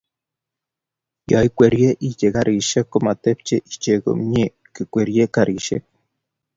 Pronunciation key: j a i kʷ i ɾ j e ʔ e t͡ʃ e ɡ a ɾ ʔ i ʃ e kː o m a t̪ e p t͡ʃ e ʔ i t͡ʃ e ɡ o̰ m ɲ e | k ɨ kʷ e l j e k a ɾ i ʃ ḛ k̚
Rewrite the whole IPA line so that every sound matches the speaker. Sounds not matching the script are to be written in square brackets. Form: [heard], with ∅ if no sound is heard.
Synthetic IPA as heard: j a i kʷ [e] ɾ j e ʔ [i] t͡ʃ e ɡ a ɾ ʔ i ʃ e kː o m a t̪ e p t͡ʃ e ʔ i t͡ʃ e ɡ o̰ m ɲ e | k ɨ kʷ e [ɾ] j e k a ɾ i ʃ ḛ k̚